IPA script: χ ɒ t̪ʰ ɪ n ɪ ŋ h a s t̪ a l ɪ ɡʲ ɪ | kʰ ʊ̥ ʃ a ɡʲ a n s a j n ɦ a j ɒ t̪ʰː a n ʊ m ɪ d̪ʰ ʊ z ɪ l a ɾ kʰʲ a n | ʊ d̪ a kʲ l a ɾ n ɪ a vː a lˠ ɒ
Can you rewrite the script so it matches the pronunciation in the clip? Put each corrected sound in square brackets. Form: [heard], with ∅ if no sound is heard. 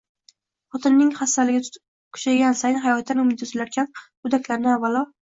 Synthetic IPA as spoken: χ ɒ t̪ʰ ɪ [nː] ɪ ŋ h a s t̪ a l ɪ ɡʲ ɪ | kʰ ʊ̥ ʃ a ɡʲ a n s a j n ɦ a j ɒ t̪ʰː a n ʊ m ɪ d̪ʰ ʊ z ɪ l a ɾ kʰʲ a n | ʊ d̪ a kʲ l a ɾ n ɪ a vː a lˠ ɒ